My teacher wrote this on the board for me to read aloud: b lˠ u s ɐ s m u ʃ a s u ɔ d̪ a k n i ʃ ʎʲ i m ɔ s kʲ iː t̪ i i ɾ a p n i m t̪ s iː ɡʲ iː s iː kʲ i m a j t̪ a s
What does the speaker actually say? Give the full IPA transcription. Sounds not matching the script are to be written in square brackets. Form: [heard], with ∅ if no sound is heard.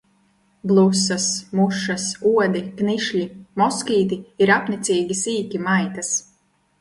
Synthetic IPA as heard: b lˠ u s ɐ s m u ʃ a s u ɔ d̪ [i] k n i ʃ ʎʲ i m ɔ s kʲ iː t̪ i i ɾ a p n i [∅] t̪ s iː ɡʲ [i] s iː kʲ i m a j t̪ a s

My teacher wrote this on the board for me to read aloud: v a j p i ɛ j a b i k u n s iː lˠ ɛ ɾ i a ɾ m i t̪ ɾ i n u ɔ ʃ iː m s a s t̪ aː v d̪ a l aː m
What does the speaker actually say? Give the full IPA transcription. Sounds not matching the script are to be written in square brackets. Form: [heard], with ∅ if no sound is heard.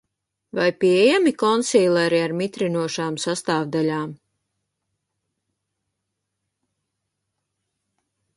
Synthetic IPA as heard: v a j p i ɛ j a [m] i k [ɔ] n s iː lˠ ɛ ɾ i a ɾ m i t̪ ɾ i n u ɔ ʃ [aː] m s a s t̪ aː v d̪ a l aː m

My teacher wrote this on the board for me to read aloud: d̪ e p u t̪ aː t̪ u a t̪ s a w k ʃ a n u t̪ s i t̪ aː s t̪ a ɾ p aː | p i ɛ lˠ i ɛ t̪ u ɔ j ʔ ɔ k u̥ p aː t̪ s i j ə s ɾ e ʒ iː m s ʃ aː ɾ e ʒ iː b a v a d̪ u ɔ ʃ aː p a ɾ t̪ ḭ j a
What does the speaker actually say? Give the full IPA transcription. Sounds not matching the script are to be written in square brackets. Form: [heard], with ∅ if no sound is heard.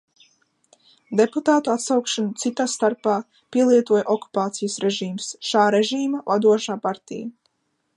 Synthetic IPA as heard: d̪ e p u t̪ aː t̪ u a t̪ s a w k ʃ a n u t̪ s i t̪ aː s t̪ a ɾ p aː | p i ɛ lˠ i ɛ t̪ u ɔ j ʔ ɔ k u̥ p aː t̪ s i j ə s ɾ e ʒ iː m s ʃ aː ɾ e ʒ iː [m] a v a d̪ u ɔ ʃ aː p a ɾ t̪ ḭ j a

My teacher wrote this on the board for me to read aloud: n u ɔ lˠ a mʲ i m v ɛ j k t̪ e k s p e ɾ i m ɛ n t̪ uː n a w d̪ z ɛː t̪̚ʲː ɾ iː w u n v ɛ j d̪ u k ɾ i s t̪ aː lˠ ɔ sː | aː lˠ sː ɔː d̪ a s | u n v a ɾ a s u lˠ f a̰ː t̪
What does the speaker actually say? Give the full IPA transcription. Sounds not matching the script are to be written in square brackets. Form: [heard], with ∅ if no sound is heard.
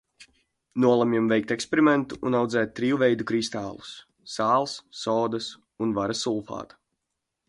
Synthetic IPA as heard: n u ɔ lˠ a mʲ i m v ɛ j k t̪ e k s p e ɾ i m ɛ n t̪ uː n a w d̪ z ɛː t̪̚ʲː ɾ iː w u [∅] v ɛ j d̪ u k ɾ i s t̪ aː lˠ [u] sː | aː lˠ sː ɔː d̪ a s | u n v a ɾ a s u lˠ f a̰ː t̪

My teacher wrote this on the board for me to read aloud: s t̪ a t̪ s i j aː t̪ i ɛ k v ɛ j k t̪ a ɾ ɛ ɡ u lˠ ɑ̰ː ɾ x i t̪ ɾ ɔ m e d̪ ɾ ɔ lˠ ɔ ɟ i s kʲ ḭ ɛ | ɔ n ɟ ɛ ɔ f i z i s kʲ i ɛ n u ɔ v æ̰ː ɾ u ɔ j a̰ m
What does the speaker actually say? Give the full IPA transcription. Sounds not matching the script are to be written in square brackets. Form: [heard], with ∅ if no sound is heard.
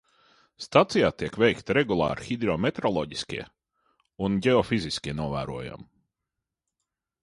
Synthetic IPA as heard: s t̪ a t̪ s i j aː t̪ i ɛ k v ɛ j k t̪ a ɾ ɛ ɡ u lˠ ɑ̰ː ɾ x i [d̪] ɾ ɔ m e [t̪] ɾ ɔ lˠ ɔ ɟ i s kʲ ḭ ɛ | [u] n ɟ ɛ ɔ f i z i s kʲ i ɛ n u ɔ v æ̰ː ɾ u ɔ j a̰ m

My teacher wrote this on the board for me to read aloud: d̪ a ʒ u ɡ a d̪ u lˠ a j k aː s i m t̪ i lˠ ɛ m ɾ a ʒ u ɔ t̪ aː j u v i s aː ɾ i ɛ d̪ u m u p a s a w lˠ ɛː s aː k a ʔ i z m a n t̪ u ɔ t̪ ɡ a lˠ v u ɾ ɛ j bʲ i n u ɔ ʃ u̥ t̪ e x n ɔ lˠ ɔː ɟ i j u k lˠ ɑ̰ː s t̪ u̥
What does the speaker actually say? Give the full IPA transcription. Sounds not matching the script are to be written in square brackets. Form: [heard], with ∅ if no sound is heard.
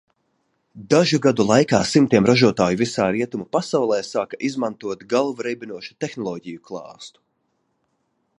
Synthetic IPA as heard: d̪ a ʒ u ɡ a d̪ u lˠ a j k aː s i m t̪ i [∅] ɛ m ɾ a ʒ u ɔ t̪ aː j u v i s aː ɾ i ɛ [t̪] u m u p a s a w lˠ ɛː s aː k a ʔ i z m a n t̪ u ɔ t̪ ɡ a lˠ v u ɾ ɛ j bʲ i n u ɔ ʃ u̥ t̪ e x n ɔ lˠ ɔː ɟ i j u k lˠ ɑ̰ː s t̪ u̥

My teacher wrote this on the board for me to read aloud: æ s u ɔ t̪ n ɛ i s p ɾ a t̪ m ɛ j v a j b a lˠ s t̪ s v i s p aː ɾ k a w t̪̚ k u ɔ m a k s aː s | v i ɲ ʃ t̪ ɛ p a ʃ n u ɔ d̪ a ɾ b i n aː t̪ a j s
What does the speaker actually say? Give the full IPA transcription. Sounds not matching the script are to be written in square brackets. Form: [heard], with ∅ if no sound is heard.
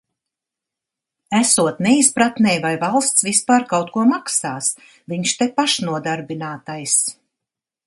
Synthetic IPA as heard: æ s u ɔ t̪ n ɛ i s p ɾ a t̪ [n] ɛ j v a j [v] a lˠ s t̪ s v i s p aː ɾ k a w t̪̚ k u ɔ m a k s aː s | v i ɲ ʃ t̪ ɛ p a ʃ n u ɔ d̪ a ɾ b i n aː t̪ a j s

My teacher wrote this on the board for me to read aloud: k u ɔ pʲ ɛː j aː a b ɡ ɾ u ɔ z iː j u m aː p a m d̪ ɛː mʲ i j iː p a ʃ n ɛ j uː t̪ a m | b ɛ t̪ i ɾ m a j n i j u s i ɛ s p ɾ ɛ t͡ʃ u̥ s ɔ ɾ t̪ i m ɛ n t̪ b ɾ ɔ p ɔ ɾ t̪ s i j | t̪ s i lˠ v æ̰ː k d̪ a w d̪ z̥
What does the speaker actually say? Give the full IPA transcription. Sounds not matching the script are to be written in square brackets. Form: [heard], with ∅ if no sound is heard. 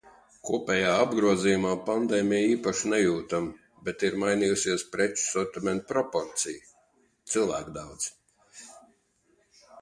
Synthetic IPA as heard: k u ɔ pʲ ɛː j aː a b ɡ ɾ u ɔ z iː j u m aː p a [n] d̪ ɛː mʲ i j iː p a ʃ n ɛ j uː t̪ a m | b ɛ t̪ i ɾ m a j n i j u s i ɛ s p ɾ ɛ t͡ʃ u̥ s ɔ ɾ t̪ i m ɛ n t̪ [p] ɾ ɔ p ɔ ɾ t̪ s i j | t̪ s i lˠ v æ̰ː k d̪ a w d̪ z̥

